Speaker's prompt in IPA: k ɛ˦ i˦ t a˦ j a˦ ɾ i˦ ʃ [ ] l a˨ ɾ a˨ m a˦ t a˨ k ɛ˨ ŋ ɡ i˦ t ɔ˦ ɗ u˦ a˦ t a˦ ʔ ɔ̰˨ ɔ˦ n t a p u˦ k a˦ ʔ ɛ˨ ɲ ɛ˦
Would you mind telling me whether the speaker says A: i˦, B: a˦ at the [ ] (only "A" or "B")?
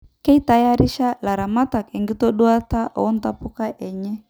B